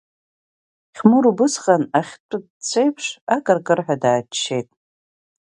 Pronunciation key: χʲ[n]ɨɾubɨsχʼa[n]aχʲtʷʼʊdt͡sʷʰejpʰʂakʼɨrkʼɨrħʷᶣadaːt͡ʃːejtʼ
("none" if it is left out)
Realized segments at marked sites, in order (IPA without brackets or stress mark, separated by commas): m, n